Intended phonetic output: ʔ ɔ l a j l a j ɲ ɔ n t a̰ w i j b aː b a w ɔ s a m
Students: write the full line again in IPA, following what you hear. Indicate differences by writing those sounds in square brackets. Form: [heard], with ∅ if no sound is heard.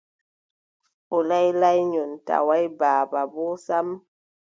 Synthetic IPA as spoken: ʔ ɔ l a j l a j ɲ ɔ n t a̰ w [a] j b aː b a [b] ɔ s a m